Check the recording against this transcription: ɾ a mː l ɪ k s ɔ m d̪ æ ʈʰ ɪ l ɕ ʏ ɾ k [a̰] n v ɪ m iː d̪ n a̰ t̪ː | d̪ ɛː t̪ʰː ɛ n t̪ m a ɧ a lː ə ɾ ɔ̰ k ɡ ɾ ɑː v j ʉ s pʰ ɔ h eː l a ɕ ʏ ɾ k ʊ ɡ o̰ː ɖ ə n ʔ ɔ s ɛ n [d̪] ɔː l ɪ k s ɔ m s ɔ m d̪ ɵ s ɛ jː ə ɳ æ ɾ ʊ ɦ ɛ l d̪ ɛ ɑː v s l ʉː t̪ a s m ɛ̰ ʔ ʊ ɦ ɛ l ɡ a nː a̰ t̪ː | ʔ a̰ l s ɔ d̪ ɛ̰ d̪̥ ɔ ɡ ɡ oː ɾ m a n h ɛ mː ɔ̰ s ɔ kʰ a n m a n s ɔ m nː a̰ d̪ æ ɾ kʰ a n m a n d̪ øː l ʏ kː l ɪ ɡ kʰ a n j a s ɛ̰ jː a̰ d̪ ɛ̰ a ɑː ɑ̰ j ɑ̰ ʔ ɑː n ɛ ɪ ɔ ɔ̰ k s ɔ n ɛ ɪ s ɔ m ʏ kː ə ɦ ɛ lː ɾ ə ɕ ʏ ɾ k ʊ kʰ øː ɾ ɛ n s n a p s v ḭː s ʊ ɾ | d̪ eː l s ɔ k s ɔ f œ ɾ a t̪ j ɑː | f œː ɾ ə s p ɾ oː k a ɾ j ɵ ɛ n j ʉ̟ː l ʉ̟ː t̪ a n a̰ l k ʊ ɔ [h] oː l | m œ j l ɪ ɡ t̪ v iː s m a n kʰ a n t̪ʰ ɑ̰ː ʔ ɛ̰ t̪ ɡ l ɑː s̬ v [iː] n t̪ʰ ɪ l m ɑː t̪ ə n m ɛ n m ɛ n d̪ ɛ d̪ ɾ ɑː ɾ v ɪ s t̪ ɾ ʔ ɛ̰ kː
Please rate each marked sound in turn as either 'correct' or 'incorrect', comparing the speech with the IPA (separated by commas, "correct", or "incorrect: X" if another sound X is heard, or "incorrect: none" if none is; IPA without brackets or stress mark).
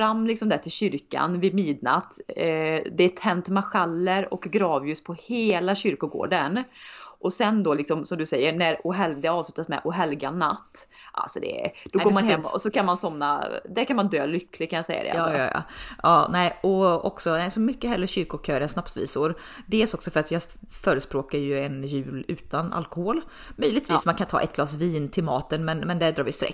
correct, correct, correct, correct